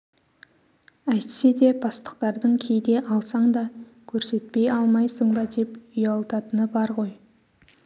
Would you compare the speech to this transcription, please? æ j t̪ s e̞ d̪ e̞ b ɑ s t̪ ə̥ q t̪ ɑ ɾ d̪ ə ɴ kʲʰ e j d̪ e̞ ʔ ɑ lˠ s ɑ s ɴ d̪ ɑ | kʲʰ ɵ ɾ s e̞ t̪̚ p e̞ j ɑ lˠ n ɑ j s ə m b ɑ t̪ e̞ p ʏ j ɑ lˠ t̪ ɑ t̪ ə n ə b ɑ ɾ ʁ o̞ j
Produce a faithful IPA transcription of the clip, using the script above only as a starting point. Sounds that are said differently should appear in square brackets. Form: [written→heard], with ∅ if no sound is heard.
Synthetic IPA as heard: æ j t̪ s e̞ d̪ e̞ b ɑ s t̪ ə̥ q t̪ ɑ ɾ d̪ ə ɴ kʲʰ e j d̪ e̞ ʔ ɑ lˠ s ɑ [s→∅] ɴ d̪ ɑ | kʲʰ ɵ ɾ s e̞ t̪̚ p e̞ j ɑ lˠ [n→m] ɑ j s ə [m→ɴ] b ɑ [t̪→d̪] e̞ p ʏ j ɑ lˠ t̪ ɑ t̪ ə n ə b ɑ ɾ ʁ o̞ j

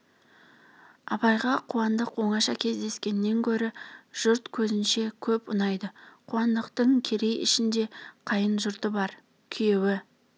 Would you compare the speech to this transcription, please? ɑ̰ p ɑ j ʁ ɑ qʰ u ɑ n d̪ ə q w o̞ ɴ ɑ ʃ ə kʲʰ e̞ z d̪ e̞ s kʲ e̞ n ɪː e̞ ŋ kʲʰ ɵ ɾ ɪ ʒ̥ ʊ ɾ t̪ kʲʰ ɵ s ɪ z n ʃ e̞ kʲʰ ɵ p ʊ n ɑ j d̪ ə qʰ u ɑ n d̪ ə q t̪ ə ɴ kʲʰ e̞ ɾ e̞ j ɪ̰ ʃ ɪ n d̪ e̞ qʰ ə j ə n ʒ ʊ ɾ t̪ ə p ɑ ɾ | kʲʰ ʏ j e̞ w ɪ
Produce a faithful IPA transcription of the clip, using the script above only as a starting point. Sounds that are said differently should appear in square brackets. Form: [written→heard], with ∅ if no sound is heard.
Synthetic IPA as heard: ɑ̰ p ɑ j ʁ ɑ qʰ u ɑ n d̪ ə q w o̞ ɴ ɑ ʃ [ə→ɑ] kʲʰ e̞ z d̪ e̞ s kʲ e̞ n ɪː e̞ ŋ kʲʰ ɵ ɾ ɪ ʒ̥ ʊ ɾ t̪ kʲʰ ɵ [s→z] ɪ [z→∅] n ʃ e̞ kʲʰ ɵ p ʊ n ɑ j d̪ ə qʰ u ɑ n d̪ ə q t̪ ə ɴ kʲʰ e̞ ɾ e̞ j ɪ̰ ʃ ɪ n d̪ e̞ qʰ [ə→ɑ] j ə n ʒ ʊ ɾ t̪ ə [p→b] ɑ ɾ | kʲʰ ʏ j e̞ w ɪ

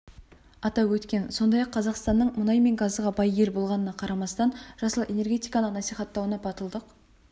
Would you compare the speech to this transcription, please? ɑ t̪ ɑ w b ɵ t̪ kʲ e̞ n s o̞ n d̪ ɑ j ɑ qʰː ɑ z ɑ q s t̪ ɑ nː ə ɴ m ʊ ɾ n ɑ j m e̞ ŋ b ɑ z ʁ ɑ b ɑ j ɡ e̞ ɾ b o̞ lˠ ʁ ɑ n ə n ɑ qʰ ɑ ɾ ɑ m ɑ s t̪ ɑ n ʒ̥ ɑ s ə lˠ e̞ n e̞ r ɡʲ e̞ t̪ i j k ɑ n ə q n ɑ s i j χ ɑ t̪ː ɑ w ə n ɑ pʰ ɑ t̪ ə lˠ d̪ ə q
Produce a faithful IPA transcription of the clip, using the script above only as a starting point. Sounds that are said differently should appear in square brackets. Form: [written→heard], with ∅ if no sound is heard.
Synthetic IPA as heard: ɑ t̪ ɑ w [b→w] ɵ t̪ kʲ e̞ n s o̞ n d̪ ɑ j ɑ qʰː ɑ z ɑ q s t̪ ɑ nː ə ɴ m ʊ [ɾ→∅] n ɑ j m e̞ ŋ [b→ɡ] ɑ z ʁ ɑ b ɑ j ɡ e̞ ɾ b o̞ lˠ ʁ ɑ n ə n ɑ qʰ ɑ ɾ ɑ m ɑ s t̪ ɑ n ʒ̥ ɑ s ə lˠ e̞ n e̞ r ɡʲ e̞ t̪ i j k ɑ n ə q n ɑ s i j χ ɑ t̪ː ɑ w ə n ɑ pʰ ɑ t̪ ə lˠ d̪ ə q

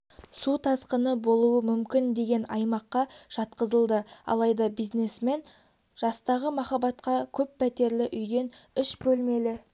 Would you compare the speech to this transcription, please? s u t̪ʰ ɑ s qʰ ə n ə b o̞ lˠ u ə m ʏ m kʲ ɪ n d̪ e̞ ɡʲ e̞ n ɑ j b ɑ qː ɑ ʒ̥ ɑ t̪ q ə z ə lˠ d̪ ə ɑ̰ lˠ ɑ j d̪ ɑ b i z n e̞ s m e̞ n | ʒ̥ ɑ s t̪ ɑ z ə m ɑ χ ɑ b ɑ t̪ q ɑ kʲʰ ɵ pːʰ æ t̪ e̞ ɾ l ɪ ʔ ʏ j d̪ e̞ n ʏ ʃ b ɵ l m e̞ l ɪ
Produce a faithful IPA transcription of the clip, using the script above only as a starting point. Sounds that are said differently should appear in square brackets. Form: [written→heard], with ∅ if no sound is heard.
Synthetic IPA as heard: s u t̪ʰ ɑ s [qʰ→q] ə n ə b o̞ lˠ u ə m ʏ m kʲ ɪ n d̪ e̞ ɡʲ e̞ n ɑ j [b→m] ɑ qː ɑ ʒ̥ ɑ t̪ q ə z ə lˠ d̪ ə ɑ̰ lˠ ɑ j d̪ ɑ b i z n e̞ s m e̞ n | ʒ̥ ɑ s t̪ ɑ [z→ʁ] ə m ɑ χ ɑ b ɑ t̪ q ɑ kʲʰ ɵ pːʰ æ t̪ e̞ ɾ l ɪ ʔ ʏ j d̪ e̞ n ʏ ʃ b ɵ l m e̞ l ɪ

